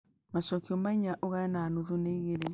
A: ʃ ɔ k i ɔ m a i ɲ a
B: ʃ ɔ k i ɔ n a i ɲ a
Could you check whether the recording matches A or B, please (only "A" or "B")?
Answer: A